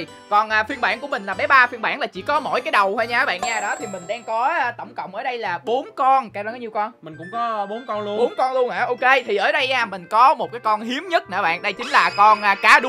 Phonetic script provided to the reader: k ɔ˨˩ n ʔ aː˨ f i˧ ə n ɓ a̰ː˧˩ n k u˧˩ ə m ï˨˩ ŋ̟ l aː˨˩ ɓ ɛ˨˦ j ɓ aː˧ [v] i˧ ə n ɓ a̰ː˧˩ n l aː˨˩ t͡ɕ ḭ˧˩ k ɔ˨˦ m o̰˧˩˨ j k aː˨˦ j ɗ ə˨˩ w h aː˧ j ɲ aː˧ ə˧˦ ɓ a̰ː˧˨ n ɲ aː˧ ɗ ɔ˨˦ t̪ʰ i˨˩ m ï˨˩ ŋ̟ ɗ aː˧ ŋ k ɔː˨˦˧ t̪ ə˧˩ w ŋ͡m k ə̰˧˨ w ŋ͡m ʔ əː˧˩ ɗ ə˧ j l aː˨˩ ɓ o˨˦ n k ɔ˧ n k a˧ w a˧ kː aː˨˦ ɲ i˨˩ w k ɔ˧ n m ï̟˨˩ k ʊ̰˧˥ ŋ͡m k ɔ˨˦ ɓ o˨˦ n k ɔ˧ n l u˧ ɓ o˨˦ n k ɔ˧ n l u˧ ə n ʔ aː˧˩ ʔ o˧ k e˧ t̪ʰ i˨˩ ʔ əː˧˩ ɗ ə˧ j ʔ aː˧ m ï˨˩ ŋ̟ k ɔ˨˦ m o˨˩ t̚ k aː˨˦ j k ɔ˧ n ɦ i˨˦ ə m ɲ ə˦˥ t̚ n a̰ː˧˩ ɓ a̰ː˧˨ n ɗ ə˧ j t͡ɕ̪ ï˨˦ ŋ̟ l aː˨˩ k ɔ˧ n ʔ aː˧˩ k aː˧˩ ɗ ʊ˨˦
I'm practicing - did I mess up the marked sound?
yes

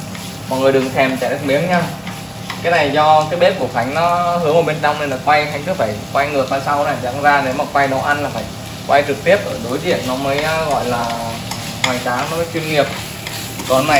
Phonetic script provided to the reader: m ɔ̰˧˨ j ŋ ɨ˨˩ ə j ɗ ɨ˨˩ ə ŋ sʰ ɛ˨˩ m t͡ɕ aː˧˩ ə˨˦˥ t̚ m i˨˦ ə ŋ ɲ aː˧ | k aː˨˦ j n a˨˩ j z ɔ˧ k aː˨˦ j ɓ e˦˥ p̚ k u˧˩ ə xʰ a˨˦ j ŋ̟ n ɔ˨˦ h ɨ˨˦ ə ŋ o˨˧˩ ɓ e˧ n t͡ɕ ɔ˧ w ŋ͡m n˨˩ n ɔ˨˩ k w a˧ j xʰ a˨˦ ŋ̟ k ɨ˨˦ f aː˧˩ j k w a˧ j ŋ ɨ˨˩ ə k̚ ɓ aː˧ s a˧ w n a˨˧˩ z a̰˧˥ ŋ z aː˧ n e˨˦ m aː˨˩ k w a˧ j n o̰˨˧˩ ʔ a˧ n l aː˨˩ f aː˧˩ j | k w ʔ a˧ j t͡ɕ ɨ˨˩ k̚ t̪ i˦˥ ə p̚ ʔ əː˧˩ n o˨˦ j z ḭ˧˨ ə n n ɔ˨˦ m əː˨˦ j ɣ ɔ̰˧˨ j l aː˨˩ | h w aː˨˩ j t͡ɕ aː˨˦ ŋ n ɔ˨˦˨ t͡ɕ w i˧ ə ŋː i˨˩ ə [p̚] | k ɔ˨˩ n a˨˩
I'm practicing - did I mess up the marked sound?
no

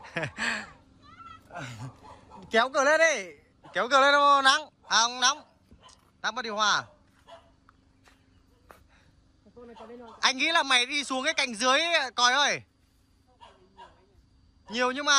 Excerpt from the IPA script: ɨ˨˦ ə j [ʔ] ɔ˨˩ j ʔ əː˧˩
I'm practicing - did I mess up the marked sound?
yes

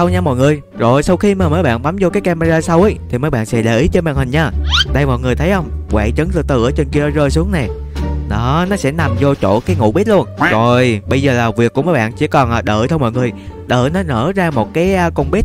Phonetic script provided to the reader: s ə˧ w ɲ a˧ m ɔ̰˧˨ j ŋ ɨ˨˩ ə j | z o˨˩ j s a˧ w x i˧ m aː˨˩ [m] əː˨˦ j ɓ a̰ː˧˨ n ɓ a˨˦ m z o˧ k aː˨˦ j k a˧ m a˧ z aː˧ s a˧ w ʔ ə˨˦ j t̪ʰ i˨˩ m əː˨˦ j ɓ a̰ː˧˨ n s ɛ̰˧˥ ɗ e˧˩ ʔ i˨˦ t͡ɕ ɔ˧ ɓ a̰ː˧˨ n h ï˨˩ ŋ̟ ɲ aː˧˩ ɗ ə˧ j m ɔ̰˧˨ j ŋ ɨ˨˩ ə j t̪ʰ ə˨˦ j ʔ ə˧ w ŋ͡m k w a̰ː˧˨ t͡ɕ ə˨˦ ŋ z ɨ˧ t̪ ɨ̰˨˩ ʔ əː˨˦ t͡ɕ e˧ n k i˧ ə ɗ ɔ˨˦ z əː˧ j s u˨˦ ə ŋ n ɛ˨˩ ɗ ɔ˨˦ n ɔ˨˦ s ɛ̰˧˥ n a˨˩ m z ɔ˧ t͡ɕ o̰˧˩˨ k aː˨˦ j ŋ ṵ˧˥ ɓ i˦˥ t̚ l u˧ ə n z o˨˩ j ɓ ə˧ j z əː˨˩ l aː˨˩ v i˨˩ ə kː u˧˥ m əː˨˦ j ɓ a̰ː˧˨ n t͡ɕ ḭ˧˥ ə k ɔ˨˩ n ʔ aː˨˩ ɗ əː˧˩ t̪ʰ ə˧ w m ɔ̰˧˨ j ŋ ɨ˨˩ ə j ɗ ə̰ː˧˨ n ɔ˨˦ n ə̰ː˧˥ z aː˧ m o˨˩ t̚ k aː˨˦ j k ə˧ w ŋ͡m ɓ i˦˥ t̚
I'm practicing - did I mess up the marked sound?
no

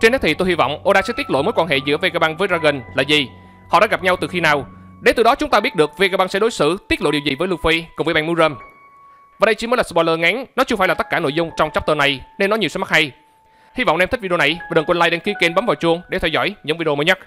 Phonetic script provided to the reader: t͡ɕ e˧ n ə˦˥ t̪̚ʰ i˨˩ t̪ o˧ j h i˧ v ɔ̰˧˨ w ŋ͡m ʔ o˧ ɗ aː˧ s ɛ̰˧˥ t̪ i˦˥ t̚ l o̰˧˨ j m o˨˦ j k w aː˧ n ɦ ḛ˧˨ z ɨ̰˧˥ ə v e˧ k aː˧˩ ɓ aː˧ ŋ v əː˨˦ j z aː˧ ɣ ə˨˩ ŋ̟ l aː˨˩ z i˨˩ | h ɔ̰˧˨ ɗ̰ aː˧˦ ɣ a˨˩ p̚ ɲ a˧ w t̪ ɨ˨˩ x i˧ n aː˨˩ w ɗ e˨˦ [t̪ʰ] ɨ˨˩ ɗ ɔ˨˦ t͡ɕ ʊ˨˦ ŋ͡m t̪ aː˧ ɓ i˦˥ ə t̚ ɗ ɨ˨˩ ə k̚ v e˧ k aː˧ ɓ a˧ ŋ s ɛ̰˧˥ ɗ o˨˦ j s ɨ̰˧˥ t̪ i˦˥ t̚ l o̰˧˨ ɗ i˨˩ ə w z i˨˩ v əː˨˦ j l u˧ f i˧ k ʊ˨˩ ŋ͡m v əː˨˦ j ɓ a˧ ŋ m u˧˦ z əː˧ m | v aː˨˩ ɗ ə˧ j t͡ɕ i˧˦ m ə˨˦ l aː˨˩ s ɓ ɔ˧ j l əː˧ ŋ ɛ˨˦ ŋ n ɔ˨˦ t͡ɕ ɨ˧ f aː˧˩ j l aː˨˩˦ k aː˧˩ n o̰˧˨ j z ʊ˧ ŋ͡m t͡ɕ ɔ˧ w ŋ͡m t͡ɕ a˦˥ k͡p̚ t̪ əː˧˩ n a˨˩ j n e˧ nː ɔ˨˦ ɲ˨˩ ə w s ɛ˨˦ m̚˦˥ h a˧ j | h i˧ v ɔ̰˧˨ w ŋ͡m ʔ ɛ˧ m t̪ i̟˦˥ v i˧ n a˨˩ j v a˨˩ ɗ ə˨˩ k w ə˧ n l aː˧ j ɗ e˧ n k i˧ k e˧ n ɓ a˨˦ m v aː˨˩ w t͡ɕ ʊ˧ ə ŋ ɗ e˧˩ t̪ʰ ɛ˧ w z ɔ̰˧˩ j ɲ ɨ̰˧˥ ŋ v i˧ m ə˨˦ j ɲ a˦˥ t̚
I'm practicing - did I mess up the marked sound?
yes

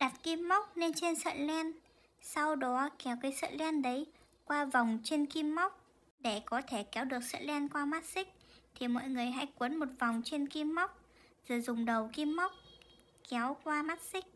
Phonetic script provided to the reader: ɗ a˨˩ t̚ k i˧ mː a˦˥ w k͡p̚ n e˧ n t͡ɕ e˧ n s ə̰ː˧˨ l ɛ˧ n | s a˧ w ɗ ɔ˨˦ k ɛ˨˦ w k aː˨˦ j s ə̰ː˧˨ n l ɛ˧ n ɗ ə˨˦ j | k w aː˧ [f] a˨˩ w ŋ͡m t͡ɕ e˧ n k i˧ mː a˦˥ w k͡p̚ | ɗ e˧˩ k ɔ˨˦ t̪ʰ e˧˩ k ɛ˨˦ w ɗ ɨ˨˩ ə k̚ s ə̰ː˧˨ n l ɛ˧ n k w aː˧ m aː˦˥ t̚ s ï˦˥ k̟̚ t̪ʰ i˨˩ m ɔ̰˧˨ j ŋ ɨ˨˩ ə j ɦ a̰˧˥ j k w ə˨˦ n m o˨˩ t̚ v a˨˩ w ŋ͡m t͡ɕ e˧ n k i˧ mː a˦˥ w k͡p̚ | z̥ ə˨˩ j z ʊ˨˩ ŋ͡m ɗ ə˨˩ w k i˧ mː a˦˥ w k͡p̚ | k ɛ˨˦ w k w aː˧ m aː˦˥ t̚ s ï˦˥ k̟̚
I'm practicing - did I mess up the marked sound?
yes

